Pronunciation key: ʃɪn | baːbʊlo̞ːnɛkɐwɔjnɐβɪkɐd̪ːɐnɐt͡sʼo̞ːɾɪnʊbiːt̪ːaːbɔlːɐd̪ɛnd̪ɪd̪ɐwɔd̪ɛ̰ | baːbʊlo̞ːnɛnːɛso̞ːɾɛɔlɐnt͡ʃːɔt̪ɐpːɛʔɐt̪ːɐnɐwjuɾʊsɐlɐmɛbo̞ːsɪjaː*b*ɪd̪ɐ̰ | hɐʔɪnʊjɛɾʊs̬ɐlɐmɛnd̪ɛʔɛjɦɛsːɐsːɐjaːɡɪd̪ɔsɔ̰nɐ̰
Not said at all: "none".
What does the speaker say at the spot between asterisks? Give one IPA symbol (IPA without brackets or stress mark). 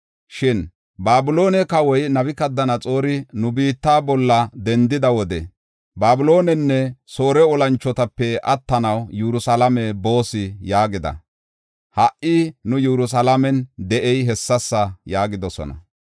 ɡ